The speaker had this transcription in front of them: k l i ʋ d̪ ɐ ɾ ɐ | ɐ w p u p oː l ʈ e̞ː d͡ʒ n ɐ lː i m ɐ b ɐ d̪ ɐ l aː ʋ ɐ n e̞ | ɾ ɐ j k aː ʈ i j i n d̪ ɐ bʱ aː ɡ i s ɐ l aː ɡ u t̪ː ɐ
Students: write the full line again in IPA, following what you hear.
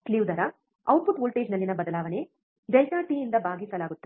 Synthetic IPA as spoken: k l i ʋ d̪ ɐ ɾ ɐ | ɐ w p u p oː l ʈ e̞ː d͡ʒ n ɐ lː i n ɐ b ɐ d̪ ɐ l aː ʋ ɐ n e̞ | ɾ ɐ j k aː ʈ i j i n d̪ ɐ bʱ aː ɡ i s ɐ l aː ɡ u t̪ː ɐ